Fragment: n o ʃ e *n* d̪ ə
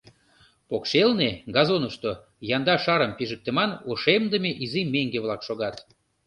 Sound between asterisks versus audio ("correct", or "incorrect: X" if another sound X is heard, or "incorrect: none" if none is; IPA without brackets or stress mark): incorrect: m